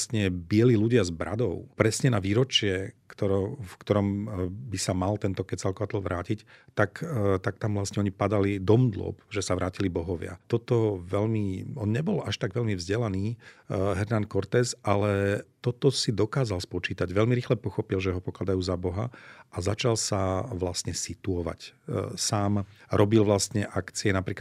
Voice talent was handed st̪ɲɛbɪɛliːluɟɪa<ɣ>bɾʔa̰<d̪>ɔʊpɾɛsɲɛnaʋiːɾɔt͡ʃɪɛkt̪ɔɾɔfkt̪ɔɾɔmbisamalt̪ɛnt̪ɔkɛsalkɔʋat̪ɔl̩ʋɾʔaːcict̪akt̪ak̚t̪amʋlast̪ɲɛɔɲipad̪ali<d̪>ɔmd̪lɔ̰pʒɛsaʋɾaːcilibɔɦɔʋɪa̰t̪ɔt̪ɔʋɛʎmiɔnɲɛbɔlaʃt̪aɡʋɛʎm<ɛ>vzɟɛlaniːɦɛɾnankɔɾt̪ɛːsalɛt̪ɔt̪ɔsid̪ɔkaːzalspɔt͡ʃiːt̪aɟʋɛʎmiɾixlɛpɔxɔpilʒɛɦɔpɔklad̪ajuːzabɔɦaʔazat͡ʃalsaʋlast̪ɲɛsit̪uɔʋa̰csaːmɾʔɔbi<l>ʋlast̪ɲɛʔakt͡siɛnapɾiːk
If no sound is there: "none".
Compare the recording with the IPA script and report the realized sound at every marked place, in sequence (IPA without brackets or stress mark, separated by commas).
z, d̪, d̪, i, l